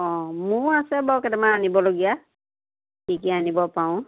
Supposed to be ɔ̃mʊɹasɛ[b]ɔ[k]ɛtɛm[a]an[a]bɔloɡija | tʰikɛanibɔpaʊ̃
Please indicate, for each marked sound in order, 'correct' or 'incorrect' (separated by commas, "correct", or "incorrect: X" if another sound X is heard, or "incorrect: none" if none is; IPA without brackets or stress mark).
correct, correct, correct, incorrect: i